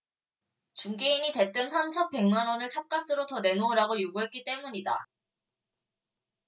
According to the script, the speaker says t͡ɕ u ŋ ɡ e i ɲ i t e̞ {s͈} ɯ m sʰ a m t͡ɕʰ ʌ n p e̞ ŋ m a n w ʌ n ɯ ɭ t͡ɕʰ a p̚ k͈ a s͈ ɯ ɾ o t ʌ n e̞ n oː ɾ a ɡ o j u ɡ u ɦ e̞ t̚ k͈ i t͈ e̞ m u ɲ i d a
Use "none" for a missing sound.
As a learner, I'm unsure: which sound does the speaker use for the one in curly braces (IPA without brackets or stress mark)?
t͈